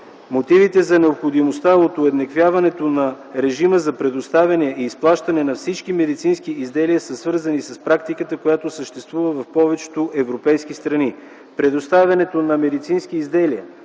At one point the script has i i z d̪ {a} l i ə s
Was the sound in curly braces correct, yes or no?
no